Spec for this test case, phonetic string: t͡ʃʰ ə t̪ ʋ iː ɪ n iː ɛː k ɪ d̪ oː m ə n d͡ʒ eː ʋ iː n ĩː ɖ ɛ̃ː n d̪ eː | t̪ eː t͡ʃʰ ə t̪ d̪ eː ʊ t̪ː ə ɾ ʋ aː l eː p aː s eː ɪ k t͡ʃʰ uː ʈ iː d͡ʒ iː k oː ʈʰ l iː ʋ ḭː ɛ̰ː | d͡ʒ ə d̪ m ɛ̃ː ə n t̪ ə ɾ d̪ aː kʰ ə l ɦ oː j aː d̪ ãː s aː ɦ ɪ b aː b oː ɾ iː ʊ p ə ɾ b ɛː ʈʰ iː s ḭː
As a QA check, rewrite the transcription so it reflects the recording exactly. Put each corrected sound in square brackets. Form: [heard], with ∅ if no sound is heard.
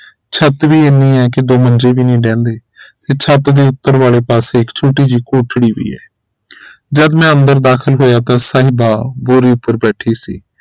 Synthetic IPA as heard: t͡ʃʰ ə t̪ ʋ iː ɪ n iː ɛː k ɪ d̪ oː m ə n d͡ʒ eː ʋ iː n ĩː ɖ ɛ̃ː n d̪ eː | t̪ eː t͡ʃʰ ə t̪ d̪ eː ʊ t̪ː ə ɾ ʋ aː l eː p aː s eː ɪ k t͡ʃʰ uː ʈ iː d͡ʒ iː k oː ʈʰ [ɽ] iː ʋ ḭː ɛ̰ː | d͡ʒ ə d̪ m ɛ̃ː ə n [d̪] ə ɾ d̪ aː kʰ ə l ɦ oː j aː [t̪] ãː s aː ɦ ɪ b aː b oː ɾ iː ʊ p ə ɾ b ɛː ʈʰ iː s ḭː